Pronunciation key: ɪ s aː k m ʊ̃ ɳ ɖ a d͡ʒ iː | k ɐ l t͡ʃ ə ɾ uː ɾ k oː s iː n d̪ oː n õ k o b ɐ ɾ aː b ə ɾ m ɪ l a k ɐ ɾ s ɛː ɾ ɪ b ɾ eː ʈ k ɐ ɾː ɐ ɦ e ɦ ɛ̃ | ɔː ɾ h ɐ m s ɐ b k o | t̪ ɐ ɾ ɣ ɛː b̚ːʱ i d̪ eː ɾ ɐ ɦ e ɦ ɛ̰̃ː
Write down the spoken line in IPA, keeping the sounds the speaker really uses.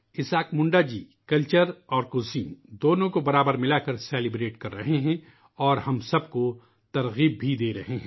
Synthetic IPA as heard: ɪ s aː k m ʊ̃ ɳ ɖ a d͡ʒ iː | k ɐ l t͡ʃ ə ɾ ɔː ɾ k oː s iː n d̪ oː n õ k o b ɐ ɾ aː b ə ɾ m ɪ l a k ɐ ɾ s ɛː l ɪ b ɾ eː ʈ k ɐ ɾː ɐ ɦ e ɦ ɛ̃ | ɔː ɾ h ɐ m s ɐ b k o | t̪ ɐ ɾ ɣ iː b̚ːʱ i d̪ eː ɾ ɐ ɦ e ɦ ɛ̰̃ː